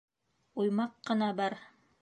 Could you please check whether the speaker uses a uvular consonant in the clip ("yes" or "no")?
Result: yes